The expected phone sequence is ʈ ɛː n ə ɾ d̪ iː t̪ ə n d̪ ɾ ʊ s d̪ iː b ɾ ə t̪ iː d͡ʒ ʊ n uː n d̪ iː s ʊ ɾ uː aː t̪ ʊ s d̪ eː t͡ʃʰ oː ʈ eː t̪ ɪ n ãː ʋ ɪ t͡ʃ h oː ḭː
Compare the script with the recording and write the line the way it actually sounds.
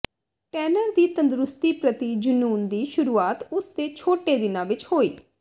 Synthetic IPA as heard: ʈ ɛː n ə ɾ d̪ iː t̪ ə n d̪ ɾ ʊ s t̪ iː p ɾ ə t̪ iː d͡ʒ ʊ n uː n d̪ iː ʃ ʊ ɾ uː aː t̪ ʊ s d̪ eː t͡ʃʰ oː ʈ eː d̪ ɪ n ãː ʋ ɪ t͡ʃ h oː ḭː